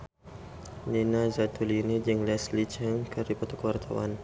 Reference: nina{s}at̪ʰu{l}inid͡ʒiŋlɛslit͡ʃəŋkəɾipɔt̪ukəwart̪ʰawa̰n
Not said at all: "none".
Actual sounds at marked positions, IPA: z, l

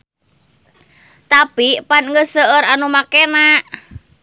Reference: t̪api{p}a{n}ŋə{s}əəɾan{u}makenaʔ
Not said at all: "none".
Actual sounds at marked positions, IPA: p, n, s, u

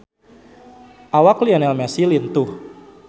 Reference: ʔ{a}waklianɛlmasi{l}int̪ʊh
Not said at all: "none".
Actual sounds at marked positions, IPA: a, l

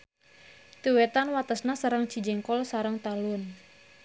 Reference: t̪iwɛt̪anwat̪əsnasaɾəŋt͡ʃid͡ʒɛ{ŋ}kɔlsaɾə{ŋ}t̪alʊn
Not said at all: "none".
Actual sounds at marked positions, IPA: ŋ, ŋ

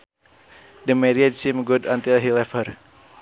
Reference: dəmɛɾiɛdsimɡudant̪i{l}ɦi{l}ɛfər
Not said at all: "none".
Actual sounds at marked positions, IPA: l, l

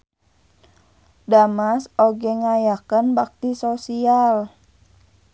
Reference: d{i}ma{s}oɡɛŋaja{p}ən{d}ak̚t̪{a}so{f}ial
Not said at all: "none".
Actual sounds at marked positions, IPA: a, s, k, b, i, s

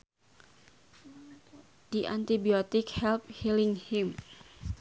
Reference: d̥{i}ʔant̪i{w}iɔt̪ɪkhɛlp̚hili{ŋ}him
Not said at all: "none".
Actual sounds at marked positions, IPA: i, b, ŋ

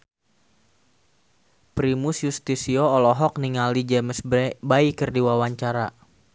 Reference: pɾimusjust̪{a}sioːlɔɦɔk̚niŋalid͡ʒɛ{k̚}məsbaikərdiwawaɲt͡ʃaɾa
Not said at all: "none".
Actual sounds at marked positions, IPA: i, none

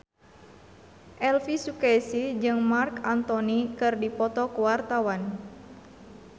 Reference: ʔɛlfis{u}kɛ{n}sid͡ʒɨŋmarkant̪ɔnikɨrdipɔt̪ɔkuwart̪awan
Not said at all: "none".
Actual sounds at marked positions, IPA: u, none

